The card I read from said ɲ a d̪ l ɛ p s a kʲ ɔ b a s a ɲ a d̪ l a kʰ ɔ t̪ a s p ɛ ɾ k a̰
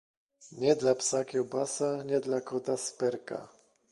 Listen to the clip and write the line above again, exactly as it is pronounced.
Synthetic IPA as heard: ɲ ɛ d̪ l a p s a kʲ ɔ b a s a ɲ ɛ d̪ l a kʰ ɔ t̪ a s p ɛ ɾ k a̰